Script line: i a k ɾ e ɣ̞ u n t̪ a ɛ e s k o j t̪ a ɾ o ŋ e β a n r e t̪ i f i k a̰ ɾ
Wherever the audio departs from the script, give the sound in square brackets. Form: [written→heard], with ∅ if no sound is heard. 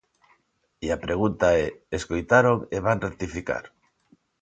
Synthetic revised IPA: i a [k→p] ɾ e ɣ̞ u n t̪ a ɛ e s k o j t̪ a ɾ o ŋ e β a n r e t̪ i f i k a̰ ɾ